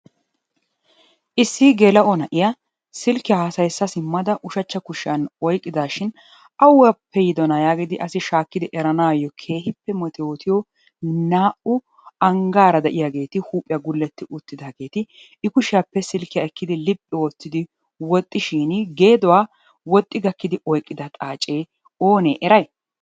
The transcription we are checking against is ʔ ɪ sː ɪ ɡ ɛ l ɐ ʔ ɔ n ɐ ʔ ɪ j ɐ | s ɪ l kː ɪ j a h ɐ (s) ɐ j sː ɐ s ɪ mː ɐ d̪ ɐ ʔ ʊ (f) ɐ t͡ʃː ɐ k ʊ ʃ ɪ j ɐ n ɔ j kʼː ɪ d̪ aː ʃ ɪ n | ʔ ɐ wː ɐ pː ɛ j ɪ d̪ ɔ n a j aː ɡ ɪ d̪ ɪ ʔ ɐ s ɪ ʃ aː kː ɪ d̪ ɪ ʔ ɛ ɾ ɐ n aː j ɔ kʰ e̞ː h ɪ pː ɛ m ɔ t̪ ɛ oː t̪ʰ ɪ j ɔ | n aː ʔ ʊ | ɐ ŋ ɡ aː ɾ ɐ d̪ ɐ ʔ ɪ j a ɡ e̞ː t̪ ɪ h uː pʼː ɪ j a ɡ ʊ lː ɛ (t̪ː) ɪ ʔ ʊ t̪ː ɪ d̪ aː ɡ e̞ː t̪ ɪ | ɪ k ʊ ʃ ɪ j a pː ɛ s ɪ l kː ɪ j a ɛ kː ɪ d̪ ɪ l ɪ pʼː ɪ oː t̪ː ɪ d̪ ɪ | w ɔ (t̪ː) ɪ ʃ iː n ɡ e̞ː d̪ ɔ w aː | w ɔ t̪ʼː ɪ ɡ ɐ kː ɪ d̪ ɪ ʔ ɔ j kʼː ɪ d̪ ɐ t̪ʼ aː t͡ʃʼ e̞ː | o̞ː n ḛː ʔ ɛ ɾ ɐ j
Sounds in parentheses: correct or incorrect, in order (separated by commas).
correct, incorrect, correct, incorrect